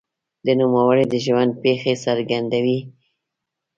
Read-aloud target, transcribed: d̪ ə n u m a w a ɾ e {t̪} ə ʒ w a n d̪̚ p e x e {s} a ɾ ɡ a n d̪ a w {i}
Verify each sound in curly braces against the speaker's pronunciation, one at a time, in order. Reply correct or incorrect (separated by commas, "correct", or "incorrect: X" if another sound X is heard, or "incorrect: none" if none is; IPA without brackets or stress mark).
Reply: incorrect: d̪, correct, correct